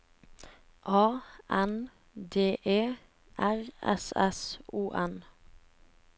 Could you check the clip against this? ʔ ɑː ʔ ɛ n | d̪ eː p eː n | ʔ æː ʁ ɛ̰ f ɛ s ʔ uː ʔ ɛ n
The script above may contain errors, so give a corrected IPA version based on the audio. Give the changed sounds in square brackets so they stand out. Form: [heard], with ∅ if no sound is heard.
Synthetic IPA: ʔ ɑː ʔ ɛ n | d̪ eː [ʔ] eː [∅] | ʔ [æ] ʁ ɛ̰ [s] ɛ s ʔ uː ʔ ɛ n